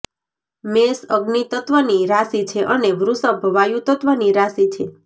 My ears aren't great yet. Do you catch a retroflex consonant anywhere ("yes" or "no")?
no